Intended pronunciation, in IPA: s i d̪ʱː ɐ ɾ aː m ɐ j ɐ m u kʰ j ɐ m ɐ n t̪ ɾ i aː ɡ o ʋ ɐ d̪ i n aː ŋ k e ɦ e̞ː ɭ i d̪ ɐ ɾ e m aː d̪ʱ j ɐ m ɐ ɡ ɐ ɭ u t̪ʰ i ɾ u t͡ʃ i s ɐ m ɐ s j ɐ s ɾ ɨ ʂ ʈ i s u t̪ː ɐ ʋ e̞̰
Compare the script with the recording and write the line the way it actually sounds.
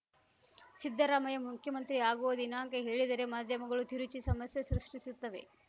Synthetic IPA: s i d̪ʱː ɐ ɾ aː m ɐ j ɐ m u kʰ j ɐ m ɐ n t̪ ɾ i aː ɡ u ʋ ɐ d̪ i n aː ŋ k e ɦ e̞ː ɭ i d̪ ɐ ɾ e m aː d̪ʱ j ɐ m ɐ ɡ ɐ ɭ u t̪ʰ i ɾ u t͡ʃ i s ɐ m ɐ s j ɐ s ɾ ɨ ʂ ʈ i s u t̪ː ɐ ʋ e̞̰